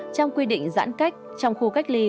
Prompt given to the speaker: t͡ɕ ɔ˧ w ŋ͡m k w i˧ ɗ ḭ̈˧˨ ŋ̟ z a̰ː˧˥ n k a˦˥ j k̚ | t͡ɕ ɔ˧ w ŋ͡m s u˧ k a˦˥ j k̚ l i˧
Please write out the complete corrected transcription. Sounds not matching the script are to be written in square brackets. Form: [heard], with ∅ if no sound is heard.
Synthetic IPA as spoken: t͡ɕ ɔ˧ w ŋ͡m k w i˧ ɗ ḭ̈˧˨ ŋ̟ z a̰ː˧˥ n k a˦˥ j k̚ | t͡ɕ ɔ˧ w ŋ͡m [x] u˧ k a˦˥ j k̚ l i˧